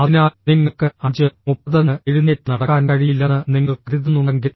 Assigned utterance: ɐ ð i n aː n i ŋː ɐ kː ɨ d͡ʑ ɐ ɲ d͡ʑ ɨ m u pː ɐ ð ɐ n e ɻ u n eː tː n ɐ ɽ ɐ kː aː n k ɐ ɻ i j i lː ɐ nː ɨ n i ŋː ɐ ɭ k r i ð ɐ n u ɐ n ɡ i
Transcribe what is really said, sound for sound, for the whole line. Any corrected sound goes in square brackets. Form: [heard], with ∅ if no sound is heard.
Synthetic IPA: ɐ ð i n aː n i ŋː ɐ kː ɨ [∅] ɐ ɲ d͡ʑ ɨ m u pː ɐ ð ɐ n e ɻ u n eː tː n ɐ ɽ ɐ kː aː n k ɐ ɻ i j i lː ɐ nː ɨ n i ŋː ɐ ɭ k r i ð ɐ n u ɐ [ŋ] ɡ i